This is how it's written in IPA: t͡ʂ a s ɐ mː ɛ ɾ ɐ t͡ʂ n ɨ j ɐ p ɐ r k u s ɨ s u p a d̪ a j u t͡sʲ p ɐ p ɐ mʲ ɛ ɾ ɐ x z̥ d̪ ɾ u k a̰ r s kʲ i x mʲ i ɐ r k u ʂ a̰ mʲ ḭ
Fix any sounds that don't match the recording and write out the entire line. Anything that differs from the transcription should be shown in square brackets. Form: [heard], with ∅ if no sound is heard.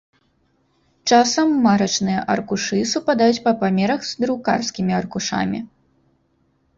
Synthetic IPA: t͡ʂ a s ɐ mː [a] ɾ ɐ t͡ʂ n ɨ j ɐ [ʔ] ɐ r k u [ʂ] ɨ s u p a d̪ a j u t͡sʲ p ɐ p [a] mʲ ɛ ɾ ɐ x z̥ d̪ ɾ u k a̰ r s kʲ i [∅] mʲ i ɐ r k u ʂ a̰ mʲ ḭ

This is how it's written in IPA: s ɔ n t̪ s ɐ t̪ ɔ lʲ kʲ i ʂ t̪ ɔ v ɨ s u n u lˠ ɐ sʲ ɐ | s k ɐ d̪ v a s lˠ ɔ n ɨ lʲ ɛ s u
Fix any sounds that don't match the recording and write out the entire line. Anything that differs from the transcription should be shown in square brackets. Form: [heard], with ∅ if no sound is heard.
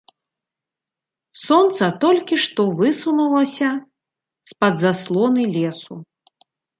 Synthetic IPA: s ɔ n t̪ s ɐ t̪ ɔ lʲ kʲ i ʂ t̪ ɔ v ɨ s u n u lˠ ɐ sʲ ɐ | s [p] ɐ d̪ [z] a s lˠ ɔ n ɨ lʲ ɛ s u

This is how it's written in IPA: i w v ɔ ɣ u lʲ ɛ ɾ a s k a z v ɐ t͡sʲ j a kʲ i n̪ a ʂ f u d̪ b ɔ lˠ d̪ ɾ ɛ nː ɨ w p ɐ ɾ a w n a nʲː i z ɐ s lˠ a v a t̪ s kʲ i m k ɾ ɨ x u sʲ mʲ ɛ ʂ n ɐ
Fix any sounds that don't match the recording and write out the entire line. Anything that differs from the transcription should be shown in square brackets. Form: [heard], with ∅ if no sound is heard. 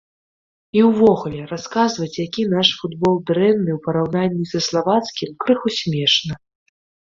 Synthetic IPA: i w v ɔ ɣ u lʲ ɛ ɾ a s k a z v ɐ t͡sʲ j a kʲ i n̪ a ʂ f u d̪ b ɔ lˠ d̪ ɾ ɛ nː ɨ w p ɐ ɾ a w n a nʲː i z ɐ s lˠ a v a t̪ s kʲ i m k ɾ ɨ x u sʲ mʲ ɛ ʂ n ɐ

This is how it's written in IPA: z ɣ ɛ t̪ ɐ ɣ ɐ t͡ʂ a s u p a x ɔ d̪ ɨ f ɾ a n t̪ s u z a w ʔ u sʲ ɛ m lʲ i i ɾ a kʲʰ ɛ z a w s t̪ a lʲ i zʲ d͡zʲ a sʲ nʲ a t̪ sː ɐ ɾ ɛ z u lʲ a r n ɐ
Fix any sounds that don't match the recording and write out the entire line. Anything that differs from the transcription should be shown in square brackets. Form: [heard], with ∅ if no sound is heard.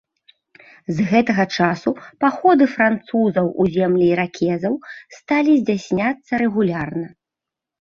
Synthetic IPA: z ɣ ɛ t̪ ɐ ɣ ɐ t͡ʂ a s u p a x ɔ d̪ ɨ f ɾ a n t̪ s u z [ɐ] w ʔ u [zʲ] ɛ m lʲ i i ɾ a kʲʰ ɛ z [ɐ] w s t̪ a lʲ i zʲ d͡zʲ a sʲ nʲ a t̪ sː ɐ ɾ ɛ [ɣ] u lʲ a r n ɐ

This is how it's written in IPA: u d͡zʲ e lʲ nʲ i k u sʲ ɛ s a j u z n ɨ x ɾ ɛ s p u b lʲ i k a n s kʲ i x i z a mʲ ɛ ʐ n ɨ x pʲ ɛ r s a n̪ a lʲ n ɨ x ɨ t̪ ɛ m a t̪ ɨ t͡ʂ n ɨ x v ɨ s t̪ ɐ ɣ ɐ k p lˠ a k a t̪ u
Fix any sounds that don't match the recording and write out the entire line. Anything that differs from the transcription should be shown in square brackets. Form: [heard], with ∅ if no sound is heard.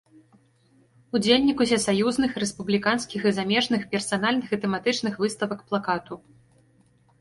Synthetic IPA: u d͡zʲ e lʲ nʲ i k u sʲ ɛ s a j u z n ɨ x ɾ ɛ s p u b lʲ i k a n s kʲ i x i z a mʲ ɛ ʐ n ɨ x pʲ ɛ r s a n̪ a lʲ n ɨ x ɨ t̪ ɛ m a t̪ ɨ t͡ʂ n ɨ x v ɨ s t̪ ɐ [v] ɐ k p lˠ a k a t̪ u

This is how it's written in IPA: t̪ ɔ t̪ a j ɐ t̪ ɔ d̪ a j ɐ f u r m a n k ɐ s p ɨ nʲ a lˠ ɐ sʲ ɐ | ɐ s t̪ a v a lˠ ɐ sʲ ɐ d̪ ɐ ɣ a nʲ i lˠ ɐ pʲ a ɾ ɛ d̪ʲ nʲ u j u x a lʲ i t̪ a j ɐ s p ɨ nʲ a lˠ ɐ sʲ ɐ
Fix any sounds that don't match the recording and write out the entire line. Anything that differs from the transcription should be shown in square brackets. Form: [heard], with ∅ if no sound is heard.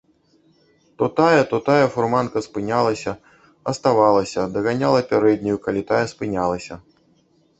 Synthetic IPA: t̪ ɔ t̪ a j ɐ t̪ ɔ [t̪] a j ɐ f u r m a n k ɐ s p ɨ nʲ a lˠ ɐ sʲ ɐ | ɐ s t̪ a v a lˠ ɐ sʲ ɐ d̪ ɐ ɣ a nʲ [a] lˠ ɐ pʲ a ɾ ɛ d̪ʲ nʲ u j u [k] a lʲ i t̪ a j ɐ s p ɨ nʲ a lˠ ɐ sʲ ɐ

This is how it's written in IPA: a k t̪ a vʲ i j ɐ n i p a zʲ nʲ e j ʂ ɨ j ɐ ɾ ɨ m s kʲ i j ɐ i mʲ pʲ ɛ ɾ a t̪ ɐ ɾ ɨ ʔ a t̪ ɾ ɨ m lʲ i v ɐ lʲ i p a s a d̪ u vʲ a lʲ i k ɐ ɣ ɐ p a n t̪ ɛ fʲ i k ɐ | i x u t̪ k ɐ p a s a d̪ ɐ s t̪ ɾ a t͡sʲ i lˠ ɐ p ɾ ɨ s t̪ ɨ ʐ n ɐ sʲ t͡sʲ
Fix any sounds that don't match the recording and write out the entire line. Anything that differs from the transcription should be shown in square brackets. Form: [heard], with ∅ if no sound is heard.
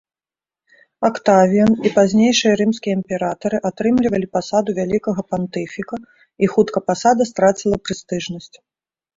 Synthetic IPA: a k t̪ a vʲ i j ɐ n i p a zʲ nʲ e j ʂ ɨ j ɐ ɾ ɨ m s kʲ i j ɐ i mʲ pʲ ɛ ɾ a t̪ ɐ ɾ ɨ ʔ a t̪ ɾ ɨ m lʲ i v ɐ lʲ i p a s a d̪ u vʲ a lʲ i k ɐ ɣ ɐ p a n t̪ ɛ fʲ i k ɐ | i x u t̪ k ɐ p a s a d̪ ɐ s t̪ ɾ a t͡sʲ i lˠ ɐ p ɾ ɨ s t̪ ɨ ʐ n ɐ sʲ t͡sʲ

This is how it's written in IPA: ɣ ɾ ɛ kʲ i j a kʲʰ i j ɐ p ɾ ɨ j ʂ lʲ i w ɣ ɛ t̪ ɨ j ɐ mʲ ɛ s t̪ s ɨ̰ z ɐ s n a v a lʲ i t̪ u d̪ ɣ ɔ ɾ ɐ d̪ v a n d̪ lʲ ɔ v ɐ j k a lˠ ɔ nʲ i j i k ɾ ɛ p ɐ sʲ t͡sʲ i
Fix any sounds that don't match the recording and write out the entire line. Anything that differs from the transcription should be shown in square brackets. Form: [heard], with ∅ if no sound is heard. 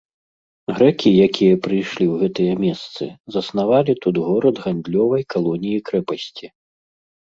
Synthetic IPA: ɣ ɾ ɛ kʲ i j a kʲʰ i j ɐ p ɾ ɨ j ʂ lʲ i w ɣ ɛ t̪ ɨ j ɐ mʲ ɛ s t̪ s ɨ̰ z ɐ s n a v a lʲ i t̪ u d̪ ɣ ɔ ɾ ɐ d̪ [ɣ] a n d̪ lʲ ɔ v ɐ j k a lˠ ɔ nʲ i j i k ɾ ɛ p ɐ sʲ t͡sʲ i

